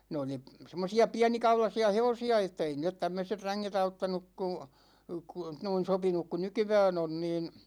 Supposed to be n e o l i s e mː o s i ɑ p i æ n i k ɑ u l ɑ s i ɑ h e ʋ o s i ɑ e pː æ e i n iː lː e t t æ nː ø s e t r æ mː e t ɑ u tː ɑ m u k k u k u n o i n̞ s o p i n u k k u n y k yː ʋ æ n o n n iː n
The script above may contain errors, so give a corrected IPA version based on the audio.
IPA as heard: n e o l i s e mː o s i ɑ p i æ n i k ɑ u l ɑ s i ɑ h e ʋ o s i ɑ e tː æ e i n iː lː e t t æ mː ø s e t r æ ŋː e t ɑ u tː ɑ n u k k u k u n o i n̞ s o p i n u k k u n y k y ʋ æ n o n n iː n